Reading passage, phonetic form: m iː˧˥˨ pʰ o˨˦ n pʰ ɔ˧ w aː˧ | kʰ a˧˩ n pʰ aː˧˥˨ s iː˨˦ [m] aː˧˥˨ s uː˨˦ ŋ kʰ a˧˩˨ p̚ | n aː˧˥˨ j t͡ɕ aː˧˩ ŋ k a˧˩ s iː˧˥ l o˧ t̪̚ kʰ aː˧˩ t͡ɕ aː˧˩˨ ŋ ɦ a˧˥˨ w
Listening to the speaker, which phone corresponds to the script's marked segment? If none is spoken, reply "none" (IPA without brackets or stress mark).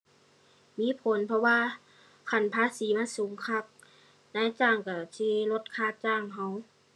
m